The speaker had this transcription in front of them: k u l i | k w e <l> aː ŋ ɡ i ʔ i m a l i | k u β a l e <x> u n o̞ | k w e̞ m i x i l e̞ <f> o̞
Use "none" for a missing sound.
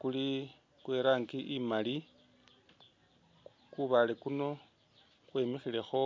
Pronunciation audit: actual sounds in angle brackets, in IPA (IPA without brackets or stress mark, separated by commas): ɾ, k, x